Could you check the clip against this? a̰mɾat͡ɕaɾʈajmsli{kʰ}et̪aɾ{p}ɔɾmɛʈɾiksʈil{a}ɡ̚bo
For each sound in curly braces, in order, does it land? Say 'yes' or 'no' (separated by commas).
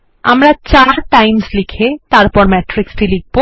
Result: yes, yes, no